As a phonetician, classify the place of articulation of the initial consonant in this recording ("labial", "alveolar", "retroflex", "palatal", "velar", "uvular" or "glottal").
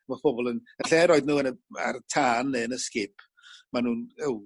labial